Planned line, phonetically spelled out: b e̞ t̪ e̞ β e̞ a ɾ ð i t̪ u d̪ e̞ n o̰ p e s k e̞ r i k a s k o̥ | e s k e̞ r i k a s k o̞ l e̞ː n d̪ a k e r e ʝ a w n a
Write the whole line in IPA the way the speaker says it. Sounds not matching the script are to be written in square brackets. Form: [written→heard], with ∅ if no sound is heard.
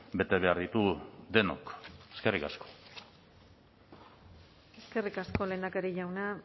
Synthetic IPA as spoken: b e̞ t̪ e̞ β e̞ a ɾ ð i t̪ u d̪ e̞ n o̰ [p→k] e s k e̞ r i k a s k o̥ | e s k e̞ r i k a s k o̞ l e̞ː n d̪ a k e [r→ɾ] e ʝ a w n a